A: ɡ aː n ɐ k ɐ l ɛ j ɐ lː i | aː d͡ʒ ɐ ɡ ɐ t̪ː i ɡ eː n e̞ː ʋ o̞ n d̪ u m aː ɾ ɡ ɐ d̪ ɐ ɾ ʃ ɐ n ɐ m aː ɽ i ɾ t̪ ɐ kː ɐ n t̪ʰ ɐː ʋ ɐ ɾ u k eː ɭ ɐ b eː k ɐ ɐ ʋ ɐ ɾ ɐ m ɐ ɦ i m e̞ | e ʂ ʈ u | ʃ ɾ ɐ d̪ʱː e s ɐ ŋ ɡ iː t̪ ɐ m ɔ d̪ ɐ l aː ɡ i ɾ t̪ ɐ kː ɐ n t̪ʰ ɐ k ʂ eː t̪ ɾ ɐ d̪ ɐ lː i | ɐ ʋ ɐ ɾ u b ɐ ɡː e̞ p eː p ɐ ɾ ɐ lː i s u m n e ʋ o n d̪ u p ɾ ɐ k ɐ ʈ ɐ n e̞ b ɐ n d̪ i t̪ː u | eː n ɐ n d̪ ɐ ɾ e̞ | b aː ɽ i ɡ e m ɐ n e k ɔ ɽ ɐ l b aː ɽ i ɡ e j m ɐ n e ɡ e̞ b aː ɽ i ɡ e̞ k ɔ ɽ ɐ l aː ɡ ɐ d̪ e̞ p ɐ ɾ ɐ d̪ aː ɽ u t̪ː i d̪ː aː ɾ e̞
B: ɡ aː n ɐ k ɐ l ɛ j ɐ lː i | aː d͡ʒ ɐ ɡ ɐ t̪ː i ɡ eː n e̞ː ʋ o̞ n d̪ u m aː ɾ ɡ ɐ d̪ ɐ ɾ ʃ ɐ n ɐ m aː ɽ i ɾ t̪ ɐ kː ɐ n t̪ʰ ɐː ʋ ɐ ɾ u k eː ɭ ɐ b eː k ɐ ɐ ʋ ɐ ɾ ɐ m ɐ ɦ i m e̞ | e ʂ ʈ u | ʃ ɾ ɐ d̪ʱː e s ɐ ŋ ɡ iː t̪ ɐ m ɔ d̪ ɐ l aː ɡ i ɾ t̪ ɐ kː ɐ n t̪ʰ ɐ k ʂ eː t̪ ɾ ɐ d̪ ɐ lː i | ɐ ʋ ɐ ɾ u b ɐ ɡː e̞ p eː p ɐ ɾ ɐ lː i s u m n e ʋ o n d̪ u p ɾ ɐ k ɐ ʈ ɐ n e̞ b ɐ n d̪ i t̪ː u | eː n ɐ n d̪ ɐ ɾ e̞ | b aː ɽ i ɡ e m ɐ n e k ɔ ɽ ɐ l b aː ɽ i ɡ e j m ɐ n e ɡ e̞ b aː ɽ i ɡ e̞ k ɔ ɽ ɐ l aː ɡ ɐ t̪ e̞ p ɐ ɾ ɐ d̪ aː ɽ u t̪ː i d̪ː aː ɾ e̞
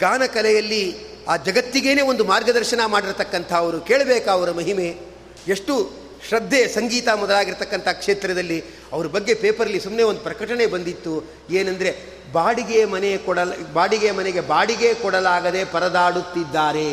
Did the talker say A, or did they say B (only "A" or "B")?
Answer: A